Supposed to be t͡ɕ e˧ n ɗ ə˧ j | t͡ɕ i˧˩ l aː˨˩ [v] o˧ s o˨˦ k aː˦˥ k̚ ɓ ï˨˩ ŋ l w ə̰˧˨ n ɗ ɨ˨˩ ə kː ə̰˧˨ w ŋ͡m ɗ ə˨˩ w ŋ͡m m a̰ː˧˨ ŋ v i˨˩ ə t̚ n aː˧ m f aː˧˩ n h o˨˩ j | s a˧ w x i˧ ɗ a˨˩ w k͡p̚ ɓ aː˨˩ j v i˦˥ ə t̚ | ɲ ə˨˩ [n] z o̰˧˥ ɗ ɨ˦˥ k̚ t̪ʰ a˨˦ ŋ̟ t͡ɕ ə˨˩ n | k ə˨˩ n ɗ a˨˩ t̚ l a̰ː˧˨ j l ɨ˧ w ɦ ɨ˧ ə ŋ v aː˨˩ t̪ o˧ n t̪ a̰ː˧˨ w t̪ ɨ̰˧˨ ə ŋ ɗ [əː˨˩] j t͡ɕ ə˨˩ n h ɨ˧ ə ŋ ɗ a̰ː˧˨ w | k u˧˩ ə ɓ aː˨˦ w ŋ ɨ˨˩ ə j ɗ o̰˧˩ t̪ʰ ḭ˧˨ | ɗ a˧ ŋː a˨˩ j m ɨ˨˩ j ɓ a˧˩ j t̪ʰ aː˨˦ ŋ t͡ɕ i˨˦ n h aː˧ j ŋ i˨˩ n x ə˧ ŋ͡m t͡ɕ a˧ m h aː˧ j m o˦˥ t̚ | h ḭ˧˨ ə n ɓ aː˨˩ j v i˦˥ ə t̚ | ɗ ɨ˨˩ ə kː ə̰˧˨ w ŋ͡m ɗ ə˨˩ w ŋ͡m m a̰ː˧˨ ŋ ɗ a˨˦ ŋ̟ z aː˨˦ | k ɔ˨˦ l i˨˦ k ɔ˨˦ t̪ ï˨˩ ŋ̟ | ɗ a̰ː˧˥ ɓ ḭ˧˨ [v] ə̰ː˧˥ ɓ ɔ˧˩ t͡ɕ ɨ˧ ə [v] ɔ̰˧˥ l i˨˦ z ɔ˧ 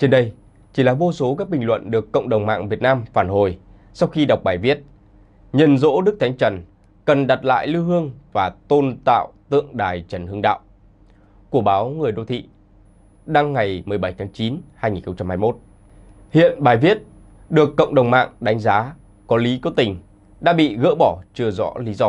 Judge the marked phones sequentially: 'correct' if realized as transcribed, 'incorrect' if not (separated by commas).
correct, correct, incorrect, incorrect, incorrect